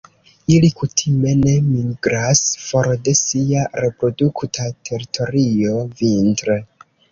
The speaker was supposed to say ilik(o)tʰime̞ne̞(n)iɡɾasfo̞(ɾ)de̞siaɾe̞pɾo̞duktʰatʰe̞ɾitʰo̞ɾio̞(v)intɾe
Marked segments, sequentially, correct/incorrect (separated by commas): incorrect, incorrect, correct, correct